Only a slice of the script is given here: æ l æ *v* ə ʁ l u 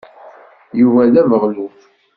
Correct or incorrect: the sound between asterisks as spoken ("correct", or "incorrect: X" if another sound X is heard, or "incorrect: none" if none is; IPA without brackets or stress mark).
correct